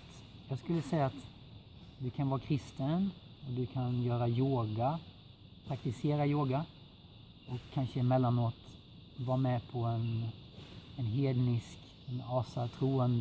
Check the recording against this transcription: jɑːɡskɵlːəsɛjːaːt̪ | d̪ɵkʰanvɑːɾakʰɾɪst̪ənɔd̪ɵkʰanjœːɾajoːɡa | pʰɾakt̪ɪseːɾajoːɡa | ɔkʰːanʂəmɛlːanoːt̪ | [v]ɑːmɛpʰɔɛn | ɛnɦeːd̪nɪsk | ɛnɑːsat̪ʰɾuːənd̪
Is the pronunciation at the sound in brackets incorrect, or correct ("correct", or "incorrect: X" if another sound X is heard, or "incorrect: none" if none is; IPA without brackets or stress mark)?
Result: correct